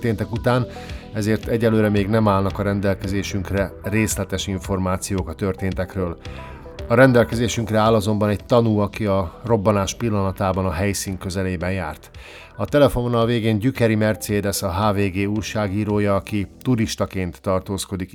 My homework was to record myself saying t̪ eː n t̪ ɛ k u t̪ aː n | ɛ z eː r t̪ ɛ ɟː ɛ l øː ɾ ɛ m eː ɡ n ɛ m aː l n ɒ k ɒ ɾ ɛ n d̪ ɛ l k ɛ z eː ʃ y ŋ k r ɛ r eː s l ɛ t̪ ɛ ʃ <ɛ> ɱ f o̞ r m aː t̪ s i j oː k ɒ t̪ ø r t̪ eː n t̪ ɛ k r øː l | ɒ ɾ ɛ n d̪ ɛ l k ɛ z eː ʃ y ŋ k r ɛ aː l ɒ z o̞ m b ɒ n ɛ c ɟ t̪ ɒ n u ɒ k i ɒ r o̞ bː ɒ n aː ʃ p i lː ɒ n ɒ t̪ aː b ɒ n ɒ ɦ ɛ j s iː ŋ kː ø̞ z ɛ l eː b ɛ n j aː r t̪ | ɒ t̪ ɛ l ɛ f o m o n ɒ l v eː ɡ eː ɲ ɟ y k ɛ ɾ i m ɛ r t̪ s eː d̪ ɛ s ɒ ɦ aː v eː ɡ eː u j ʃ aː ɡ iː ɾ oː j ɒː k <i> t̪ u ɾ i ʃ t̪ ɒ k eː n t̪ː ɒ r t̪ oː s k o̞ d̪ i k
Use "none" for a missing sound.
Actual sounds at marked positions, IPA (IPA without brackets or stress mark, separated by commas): i, i